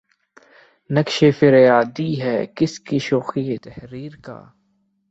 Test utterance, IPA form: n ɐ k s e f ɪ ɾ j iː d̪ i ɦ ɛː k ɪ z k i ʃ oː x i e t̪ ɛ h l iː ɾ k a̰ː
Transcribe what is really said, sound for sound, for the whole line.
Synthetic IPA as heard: n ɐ k ʃ e f ɪ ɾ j aː d̪ i ɦ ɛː k ɪ s k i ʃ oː x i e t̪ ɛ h ɾ iː ɾ k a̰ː